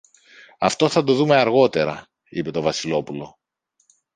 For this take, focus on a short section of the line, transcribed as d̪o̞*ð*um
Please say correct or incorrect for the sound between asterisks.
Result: correct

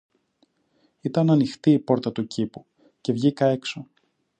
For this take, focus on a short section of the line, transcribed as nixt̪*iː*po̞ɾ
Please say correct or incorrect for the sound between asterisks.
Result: correct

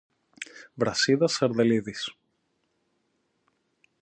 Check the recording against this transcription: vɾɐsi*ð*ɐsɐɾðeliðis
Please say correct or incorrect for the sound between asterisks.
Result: correct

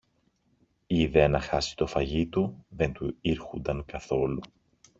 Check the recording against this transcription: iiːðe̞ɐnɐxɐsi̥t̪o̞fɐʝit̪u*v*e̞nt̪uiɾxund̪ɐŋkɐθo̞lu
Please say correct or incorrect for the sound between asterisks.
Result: incorrect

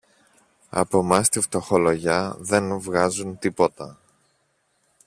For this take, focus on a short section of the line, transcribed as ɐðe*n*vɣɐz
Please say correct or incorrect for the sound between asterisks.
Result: correct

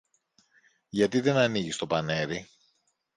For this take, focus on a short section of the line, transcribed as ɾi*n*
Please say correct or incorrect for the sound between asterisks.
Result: incorrect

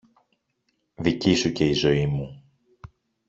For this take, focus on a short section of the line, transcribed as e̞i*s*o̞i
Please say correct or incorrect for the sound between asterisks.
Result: incorrect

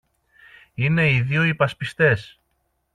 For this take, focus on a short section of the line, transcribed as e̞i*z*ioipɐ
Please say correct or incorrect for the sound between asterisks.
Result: incorrect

